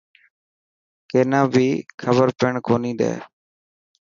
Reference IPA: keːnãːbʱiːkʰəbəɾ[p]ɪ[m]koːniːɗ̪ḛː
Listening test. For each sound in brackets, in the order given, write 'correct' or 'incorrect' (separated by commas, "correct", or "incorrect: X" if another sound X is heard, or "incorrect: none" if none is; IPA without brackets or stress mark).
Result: correct, incorrect: ɳ